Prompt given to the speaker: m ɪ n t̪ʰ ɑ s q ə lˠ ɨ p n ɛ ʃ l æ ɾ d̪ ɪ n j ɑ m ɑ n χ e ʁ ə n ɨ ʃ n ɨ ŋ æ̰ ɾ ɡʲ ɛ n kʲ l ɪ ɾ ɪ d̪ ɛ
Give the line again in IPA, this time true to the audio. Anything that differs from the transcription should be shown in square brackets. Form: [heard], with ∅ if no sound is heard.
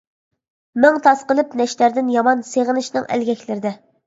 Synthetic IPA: m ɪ [ŋ] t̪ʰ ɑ s q ə lˠ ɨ p n ɛ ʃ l æ ɾ d̪ ɪ n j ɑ m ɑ n [s] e ʁ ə n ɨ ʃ n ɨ ŋ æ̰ [l] ɡʲ ɛ [∅] kʲ l ɪ ɾ ɪ d̪ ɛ